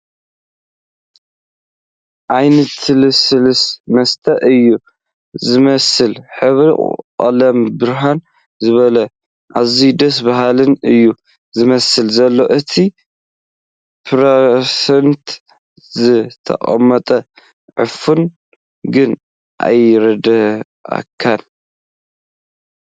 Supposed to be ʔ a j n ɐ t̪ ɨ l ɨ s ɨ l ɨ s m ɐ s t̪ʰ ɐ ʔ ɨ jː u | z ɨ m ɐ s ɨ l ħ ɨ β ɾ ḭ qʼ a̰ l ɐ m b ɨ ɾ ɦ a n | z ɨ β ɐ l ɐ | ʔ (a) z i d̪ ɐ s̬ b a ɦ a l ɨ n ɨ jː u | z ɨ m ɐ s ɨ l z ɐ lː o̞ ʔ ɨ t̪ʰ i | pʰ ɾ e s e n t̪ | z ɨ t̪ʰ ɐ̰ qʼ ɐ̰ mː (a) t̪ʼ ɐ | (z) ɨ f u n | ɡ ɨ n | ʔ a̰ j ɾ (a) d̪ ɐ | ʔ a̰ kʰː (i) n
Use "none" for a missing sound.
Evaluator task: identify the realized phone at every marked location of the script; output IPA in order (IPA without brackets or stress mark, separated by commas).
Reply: a, ɐ, ʕ, ɐ, a